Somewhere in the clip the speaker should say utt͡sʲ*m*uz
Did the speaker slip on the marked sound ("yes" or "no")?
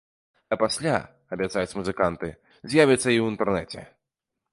no